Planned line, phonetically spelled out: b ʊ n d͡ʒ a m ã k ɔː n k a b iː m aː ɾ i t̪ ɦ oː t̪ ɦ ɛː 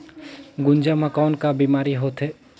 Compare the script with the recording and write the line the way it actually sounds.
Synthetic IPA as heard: ɡ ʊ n d͡ʒ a m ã k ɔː n k a b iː m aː ɾ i ɦ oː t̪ ɦ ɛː